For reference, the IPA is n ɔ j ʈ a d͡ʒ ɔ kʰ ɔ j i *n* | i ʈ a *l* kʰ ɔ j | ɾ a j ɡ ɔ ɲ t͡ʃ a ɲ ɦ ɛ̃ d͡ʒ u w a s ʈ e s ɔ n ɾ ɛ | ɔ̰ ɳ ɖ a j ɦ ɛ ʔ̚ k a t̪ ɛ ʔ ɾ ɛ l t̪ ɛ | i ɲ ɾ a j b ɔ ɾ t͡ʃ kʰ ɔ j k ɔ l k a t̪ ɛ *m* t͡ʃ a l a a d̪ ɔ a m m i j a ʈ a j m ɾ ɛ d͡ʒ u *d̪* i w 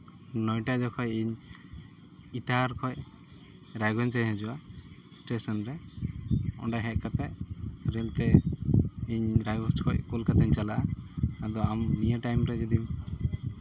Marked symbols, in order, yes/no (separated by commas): no, no, no, yes